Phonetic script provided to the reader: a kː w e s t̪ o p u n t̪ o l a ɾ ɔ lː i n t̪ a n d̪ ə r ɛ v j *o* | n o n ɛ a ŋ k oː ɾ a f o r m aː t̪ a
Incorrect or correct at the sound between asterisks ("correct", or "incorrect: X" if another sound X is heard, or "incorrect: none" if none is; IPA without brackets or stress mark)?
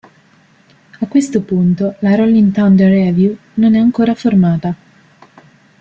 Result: incorrect: u